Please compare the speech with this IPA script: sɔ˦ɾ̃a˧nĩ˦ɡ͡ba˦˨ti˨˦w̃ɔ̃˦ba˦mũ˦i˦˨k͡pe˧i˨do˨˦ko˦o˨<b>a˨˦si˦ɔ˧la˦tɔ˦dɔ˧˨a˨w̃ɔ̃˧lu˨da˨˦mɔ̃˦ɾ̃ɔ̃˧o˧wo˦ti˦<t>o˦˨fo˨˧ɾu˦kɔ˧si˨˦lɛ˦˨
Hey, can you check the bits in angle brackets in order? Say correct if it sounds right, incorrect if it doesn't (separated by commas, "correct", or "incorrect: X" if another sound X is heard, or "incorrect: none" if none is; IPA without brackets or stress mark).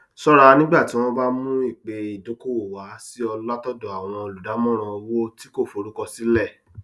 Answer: incorrect: w, incorrect: k